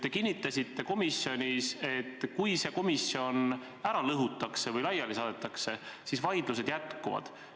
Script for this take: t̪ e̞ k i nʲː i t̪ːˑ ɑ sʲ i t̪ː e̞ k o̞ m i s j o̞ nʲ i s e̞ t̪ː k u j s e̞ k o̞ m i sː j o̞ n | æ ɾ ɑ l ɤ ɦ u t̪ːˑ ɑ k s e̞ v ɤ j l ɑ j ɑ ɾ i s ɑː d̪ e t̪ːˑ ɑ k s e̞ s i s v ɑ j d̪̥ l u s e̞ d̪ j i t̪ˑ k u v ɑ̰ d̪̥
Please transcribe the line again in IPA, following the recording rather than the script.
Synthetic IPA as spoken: t̪ e̞ k i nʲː i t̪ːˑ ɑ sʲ i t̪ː e̞ k o̞ m i s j o̞ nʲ i s e̞ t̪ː k u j s e̞ k o̞ m i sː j o̞ n | æ ɾ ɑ l ɤ ɦ u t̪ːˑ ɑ k s e̞ v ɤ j l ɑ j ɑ l i s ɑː d̪ e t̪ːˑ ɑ k s e̞ s i s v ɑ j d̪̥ l u s e̞ d̪ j æ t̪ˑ k u v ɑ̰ d̪̥